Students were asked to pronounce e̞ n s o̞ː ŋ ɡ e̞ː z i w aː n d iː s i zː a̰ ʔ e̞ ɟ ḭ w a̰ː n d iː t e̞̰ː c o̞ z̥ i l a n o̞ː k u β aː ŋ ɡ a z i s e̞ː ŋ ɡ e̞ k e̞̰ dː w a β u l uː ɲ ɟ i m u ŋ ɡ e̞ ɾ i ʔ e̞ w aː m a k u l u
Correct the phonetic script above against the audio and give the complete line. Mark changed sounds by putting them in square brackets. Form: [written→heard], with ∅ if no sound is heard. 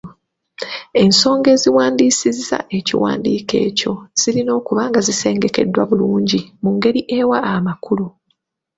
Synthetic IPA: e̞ n s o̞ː ŋ ɡ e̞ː z i w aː n d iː s i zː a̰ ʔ e̞ [ɟ→c] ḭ w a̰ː n d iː [t→k] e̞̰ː c o̞ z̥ i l [a→i] n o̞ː k u β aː ŋ ɡ a z i s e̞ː ŋ ɡ e̞ k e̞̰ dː w a β u l uː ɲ ɟ i m u ŋ ɡ e̞ ɾ i ʔ e̞ w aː m a k u l u